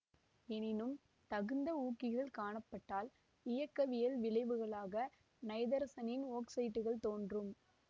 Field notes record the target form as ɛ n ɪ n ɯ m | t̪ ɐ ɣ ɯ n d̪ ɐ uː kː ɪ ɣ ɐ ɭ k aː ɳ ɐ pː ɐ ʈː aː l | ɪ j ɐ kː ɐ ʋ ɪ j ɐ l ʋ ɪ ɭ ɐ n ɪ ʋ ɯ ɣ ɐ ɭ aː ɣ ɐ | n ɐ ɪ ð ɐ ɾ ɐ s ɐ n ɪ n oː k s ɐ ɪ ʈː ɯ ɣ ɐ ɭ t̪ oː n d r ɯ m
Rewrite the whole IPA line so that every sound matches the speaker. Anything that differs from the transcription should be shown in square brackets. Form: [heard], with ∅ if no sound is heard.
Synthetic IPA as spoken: ɛ n ɪ n ɯ m | t̪ ɐ ɣ ɯ n d̪ ɐ uː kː ɪ ɣ ɐ ɭ k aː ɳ ɐ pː ɐ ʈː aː l | ɪ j ɐ kː ɐ ʋ ɪ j ɐ l ʋ ɪ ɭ ɐ [∅] ɪ ʋ ɯ ɣ ɐ ɭ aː ɣ ɐ | n ɐ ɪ ð ɐ ɾ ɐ s ɐ n ɪ n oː k s ɐ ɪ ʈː ɯ ɣ ɐ ɭ t̪ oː n d r ɯ m